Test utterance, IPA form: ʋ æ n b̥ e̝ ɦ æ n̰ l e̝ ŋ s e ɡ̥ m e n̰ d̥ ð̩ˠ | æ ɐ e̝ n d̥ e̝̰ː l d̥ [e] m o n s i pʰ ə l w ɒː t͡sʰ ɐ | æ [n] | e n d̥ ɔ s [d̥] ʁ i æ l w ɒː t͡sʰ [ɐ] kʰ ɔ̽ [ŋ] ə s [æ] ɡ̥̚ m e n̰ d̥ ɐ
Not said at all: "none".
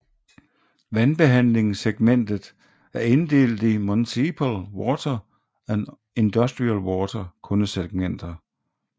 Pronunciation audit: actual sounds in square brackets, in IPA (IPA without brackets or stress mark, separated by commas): i, n, d̥, ɐ, n, e